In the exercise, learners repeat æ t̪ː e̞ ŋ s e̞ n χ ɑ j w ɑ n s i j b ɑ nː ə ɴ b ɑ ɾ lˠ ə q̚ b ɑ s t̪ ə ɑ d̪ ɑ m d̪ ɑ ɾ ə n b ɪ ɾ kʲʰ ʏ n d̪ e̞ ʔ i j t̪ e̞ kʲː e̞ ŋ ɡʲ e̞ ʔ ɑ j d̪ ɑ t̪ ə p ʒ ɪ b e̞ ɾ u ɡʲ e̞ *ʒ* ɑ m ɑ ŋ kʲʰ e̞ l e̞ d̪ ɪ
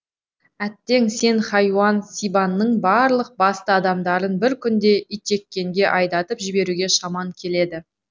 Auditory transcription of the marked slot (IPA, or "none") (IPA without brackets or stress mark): ʃ